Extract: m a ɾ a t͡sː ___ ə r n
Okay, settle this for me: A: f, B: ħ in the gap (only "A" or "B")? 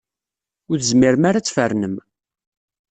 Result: A